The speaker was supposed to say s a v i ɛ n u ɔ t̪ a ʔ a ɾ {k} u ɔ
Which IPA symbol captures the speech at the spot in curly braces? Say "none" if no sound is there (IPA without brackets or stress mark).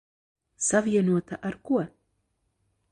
k